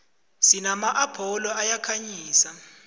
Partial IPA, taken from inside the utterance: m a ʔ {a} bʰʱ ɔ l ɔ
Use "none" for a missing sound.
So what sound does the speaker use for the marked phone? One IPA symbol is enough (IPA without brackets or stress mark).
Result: a